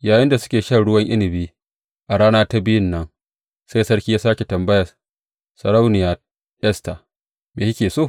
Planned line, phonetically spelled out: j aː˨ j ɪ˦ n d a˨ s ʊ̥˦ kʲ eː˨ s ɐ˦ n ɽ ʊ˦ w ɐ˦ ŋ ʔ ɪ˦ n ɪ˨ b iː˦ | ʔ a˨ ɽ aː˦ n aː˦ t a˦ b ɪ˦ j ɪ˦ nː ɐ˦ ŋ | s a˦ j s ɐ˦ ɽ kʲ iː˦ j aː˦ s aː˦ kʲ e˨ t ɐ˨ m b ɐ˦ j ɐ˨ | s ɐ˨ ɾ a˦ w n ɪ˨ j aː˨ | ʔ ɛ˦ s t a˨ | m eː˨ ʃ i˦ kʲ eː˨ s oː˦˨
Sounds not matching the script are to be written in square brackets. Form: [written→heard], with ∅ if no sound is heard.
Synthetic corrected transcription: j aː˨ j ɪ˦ n d a˨ s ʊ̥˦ kʲ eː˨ [s→ʃ] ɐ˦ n ɽ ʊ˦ w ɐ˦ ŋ ʔ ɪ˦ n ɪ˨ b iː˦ | ʔ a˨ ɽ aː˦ n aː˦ t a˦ b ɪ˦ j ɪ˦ nː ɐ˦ ŋ | s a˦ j s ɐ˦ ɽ kʲ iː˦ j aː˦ s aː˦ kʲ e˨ t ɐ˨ m b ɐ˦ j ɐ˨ | s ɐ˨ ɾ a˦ w n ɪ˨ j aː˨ | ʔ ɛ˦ s t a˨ | m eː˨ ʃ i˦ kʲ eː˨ s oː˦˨